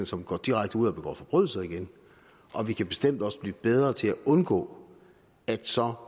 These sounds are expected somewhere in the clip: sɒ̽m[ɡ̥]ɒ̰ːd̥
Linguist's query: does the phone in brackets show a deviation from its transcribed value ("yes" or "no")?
no